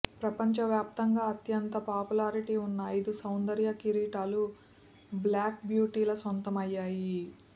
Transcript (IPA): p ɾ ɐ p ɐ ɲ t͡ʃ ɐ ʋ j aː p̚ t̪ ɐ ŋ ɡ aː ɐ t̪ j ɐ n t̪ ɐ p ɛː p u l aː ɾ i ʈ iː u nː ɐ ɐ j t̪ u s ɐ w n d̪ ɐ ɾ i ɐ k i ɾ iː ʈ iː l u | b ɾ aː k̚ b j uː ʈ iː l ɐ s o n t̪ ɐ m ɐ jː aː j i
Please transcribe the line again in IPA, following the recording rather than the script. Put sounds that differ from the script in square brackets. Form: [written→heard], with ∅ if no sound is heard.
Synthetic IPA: p ɾ ɐ p ɐ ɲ t͡ʃ ɐ ʋ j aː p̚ t̪ ɐ ŋ ɡ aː ɐ t̪ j ɐ n t̪ ɐ p [ɛː→aː] p u l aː ɾ i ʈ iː u nː ɐ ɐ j [t̪→d̪] u s ɐ w n d̪ ɐ ɾ [i→j] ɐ k i ɾ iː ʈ [iː→aː] l u | b [ɾ→l] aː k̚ b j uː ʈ iː l ɐ s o n t̪ ɐ m ɐ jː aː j i

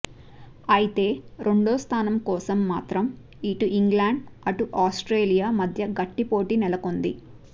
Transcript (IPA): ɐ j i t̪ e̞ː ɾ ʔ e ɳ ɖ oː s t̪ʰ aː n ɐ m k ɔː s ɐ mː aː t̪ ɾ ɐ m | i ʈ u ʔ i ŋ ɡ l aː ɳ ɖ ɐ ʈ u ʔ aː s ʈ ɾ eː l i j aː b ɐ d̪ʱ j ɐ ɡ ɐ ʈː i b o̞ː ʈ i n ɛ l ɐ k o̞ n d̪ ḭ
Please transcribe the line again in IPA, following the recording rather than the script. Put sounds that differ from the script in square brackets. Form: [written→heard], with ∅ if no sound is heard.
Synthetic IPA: ɐ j i t̪ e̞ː ɾ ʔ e ɳ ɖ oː s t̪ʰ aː n ɐ m k ɔː s ɐ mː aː t̪ ɾ ɐ m | i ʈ u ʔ i ŋ ɡ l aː ɳ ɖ ɐ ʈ u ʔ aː s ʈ ɾ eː l i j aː [b→m] ɐ d̪ʱ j ɐ ɡ ɐ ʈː i [b→p] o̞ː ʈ i n ɛ l ɐ k o̞ n d̪ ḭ

